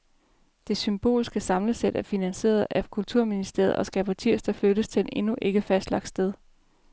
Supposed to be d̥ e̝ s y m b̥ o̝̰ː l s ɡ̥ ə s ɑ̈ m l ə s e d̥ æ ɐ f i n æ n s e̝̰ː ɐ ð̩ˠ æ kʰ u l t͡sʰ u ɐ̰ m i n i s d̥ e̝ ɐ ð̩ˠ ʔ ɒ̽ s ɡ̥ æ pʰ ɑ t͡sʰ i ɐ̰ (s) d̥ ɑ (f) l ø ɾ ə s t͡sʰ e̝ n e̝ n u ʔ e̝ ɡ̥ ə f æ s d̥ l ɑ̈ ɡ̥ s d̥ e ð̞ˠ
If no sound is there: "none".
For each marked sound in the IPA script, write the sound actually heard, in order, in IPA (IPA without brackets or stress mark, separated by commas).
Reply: s, f